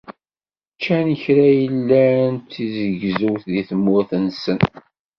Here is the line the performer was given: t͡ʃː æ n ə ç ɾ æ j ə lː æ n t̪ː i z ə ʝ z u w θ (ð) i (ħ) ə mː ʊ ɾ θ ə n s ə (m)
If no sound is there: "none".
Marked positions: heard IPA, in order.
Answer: ð, θ, n

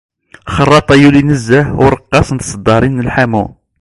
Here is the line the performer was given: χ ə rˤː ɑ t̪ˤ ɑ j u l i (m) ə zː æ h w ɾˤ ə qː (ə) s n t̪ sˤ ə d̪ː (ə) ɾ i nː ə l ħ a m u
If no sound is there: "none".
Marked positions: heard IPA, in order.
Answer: n, ɑ, ɑ

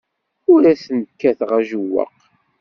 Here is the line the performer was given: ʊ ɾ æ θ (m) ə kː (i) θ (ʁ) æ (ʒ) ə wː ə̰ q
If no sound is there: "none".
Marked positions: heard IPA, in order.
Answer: n, æ, ʁ, ʒ

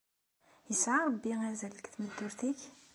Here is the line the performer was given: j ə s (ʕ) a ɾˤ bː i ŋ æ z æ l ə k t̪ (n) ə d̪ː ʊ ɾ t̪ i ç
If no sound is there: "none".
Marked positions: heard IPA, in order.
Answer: ʕ, m

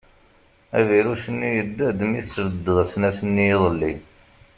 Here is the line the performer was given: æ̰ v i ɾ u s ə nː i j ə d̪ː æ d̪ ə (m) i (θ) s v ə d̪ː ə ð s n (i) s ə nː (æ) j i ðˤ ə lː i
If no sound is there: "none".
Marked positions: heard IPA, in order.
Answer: m, θ, æ, i

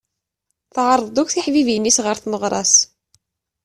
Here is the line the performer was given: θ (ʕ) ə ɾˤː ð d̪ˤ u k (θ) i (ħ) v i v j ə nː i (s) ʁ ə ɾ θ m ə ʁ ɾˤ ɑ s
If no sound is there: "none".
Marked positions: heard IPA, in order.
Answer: ʕ, θ, ħ, s

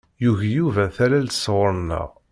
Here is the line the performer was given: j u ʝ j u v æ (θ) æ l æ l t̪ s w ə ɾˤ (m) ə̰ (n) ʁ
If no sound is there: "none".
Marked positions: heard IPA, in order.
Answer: θ, n, none

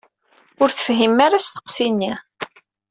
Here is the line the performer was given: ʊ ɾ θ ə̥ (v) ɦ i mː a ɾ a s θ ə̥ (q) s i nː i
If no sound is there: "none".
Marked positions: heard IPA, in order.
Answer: f, q

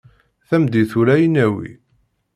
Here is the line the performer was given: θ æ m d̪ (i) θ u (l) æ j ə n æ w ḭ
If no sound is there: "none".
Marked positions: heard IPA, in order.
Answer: i, ɾ

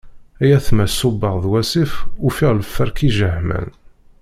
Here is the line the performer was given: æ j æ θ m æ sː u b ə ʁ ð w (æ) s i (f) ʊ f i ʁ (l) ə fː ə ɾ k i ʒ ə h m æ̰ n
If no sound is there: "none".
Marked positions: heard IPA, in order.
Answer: æ, f, l

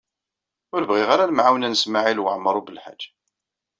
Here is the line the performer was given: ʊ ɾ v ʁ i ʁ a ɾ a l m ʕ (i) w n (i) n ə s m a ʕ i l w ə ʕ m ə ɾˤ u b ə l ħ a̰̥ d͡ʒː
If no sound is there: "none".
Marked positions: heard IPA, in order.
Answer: a, æ

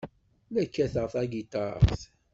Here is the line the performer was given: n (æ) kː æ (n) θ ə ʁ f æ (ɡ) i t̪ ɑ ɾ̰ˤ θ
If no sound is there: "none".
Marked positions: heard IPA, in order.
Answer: æ, none, ɡ

